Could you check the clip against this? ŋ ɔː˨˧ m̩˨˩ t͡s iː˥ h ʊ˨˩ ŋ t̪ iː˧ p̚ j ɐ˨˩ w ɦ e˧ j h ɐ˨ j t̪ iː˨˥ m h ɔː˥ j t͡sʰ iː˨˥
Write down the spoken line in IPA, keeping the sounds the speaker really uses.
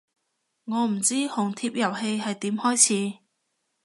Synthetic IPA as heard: ŋ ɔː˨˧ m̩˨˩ t͡s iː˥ h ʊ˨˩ ŋ t̪ʰ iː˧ p̚ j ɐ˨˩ w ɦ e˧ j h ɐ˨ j t̪ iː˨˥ m h ɔː˥ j t͡sʰ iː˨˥